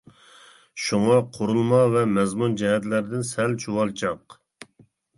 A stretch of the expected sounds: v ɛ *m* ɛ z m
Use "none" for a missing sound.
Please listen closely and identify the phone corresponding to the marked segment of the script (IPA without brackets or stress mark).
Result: m